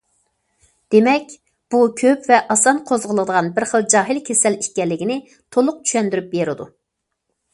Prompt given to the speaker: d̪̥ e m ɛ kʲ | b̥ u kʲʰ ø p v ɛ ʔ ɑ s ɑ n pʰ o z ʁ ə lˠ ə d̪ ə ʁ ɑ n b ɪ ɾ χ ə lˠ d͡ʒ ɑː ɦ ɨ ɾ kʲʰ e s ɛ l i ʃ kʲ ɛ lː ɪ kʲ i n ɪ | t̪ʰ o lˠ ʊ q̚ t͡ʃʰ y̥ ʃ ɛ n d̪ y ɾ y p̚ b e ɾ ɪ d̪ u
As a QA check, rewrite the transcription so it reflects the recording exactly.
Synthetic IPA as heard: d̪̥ e m ɛ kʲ | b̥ u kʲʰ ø p v ɛ ʔ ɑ s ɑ n qʰ o z ʁ ə lˠ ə d̪ ə ʁ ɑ n b ɪ ɾ χ ə lˠ d͡ʒ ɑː ɦ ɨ l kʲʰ e s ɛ l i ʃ kʲ ɛ lː ɪ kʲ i n ɪ | t̪ʰ o lˠ ʊ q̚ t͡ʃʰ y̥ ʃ ɛ n d̪ y ɾ y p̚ b e ɾ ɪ d̪ u

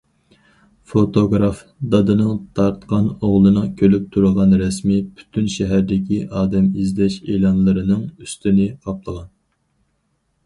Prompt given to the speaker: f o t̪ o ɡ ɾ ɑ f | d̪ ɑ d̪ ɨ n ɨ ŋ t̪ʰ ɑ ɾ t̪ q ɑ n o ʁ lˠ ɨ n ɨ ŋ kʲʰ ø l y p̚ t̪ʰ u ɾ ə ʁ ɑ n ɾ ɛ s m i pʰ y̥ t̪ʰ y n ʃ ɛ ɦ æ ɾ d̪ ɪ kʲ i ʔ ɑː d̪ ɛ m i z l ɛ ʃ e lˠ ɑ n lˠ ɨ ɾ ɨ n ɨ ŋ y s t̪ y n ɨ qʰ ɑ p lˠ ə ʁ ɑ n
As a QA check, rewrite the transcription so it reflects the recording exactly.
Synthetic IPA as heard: f o t̪ o ɡ ɾ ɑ f | d̪ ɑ d̪ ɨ n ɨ ŋ t̪ʰ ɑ ɾ t̪ q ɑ n o ʁ lˠ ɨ n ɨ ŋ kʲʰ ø l y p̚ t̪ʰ u ɾ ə ʁ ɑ n ɾ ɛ s m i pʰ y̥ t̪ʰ y n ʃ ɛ ɦ æ ɾ d̪ ɪ kʲ i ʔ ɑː d̪ ɛ m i z l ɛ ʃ e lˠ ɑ n lˠ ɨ ɾ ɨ n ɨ ŋ y s t̪ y n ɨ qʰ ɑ p lˠ ə ʁ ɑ n

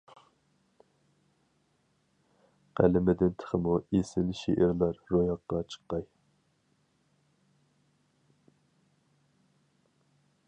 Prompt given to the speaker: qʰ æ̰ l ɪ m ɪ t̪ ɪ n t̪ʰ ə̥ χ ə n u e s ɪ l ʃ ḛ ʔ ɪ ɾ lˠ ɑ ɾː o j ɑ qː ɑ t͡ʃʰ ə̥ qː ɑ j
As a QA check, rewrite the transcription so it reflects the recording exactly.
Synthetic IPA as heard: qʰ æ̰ l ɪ m ɪ d̪ ɪ n t̪ʰ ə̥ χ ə m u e s ɪ l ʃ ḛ ʔ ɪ ɾ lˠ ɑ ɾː o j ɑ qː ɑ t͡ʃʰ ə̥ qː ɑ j

